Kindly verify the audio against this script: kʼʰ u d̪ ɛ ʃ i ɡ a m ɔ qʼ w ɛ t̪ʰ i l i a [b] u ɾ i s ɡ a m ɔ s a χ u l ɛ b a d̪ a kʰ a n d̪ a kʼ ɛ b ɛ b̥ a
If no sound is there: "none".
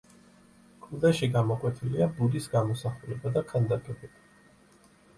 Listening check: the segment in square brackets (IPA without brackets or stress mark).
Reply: b